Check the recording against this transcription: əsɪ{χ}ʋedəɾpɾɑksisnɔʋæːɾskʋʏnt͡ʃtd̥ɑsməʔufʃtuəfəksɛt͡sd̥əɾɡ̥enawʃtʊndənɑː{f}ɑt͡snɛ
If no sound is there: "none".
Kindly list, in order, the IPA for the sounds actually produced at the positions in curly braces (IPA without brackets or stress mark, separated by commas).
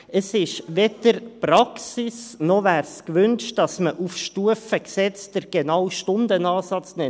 ʃ, s